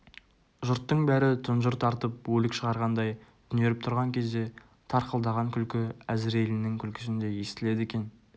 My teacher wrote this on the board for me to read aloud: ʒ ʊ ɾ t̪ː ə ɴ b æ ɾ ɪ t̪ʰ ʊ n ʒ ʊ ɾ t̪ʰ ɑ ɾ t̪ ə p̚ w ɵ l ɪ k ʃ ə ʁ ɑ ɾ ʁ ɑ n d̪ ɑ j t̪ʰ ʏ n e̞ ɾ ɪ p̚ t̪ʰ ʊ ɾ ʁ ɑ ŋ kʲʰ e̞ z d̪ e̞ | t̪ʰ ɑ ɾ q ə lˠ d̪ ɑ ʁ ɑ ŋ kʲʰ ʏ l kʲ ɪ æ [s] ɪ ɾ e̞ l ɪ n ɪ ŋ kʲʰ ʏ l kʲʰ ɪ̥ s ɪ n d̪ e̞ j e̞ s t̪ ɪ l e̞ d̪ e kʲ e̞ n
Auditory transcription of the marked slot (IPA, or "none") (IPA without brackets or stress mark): z